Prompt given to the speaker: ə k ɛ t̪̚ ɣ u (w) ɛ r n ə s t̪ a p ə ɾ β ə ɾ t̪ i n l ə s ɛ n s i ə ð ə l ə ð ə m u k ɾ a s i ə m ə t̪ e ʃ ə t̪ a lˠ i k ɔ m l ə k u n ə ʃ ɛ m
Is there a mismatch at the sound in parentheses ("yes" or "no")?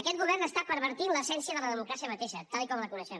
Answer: yes